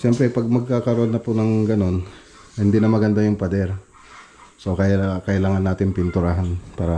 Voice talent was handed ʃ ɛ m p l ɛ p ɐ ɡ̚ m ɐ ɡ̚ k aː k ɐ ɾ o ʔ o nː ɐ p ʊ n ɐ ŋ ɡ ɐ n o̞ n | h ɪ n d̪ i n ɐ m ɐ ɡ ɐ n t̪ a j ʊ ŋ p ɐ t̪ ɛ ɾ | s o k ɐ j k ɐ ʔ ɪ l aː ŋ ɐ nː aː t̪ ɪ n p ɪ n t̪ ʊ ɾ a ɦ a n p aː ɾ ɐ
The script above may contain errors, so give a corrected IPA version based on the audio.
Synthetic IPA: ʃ ɛ m p ɾ ɛ p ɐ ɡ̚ m ɐ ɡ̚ k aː k ɐ ɾ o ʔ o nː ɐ p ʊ n ɐ ŋ ɡ ɐ n o̞ n | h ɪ n d̪ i n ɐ m ɐ ɡ ɐ n d̪ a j ʊ ŋ p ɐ d̪ ɛ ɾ | s o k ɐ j k ɐ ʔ ɪ l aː ŋ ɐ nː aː t̪ ɪ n p ɪ n t̪ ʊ ɾ a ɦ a n p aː ɾ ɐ